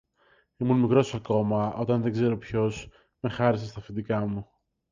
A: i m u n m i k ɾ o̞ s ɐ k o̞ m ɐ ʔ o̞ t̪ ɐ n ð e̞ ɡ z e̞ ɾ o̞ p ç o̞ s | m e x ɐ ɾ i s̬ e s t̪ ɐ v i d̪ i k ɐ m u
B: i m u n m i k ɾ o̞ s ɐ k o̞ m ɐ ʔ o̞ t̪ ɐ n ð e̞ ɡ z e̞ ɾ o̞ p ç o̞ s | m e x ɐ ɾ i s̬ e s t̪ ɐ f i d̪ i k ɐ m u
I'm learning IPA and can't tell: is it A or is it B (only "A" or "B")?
B